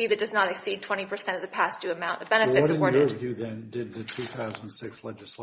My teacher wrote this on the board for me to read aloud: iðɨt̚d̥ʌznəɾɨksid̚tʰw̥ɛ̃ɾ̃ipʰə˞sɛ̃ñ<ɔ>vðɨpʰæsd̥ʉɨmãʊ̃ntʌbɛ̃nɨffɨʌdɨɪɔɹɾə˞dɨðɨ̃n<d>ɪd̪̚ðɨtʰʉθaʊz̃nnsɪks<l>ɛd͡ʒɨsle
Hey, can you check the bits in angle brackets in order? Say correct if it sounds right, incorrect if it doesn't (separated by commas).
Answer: incorrect, correct, correct